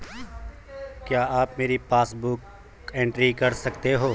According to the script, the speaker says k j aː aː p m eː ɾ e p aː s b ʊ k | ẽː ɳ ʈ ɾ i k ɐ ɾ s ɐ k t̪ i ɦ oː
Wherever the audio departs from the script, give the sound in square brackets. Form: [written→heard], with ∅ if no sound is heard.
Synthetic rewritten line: k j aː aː p m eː ɾ [e→i] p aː s b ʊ k | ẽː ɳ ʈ ɾ i k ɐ ɾ s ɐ k t̪ [i→e] ɦ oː

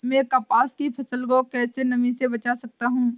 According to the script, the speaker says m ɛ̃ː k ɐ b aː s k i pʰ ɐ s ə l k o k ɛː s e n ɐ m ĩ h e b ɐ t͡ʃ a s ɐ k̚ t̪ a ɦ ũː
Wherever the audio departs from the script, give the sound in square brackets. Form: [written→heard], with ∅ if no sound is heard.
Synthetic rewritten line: m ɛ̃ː k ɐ [b→p] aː s k i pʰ ɐ s ə l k o k ɛː s e n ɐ m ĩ [h→s] e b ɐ t͡ʃ a s ɐ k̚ t̪ a ɦ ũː

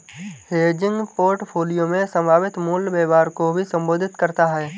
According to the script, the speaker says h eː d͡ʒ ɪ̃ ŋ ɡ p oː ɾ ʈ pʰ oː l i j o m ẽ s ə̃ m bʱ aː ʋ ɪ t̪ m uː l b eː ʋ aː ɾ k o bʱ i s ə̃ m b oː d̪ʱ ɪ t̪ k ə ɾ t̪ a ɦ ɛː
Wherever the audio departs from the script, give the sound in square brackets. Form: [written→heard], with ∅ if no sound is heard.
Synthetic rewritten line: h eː d͡ʒ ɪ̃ ŋ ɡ p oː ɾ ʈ pʰ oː l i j o m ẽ s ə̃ m bʱ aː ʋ ɪ t̪ m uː l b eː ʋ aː ɾ k o bʱ i s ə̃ m b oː d̪ʱ ɪ t̪ k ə ɾ t̪ a ɦ ɛː

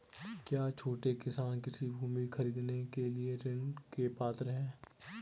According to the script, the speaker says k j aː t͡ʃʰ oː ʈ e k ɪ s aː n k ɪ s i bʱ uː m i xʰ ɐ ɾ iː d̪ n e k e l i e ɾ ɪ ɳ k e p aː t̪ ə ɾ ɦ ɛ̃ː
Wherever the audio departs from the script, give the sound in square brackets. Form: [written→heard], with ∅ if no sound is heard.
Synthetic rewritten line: k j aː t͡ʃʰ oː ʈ e k ɪ s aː n k ɪ s i bʱ uː m i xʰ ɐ ɾ iː d̪ n e k e l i e ɾ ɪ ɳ k e p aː t̪ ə ɾ ɦ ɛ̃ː

